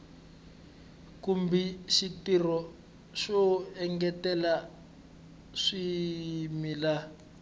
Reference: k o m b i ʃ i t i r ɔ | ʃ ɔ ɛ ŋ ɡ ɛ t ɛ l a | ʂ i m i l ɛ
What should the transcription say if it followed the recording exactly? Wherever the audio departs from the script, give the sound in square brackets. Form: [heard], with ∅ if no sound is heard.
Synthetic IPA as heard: k [u] m b i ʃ i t i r ɔ | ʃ ɔ ɛ ŋ ɡ ɛ t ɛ l a | ʂ i m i l [a]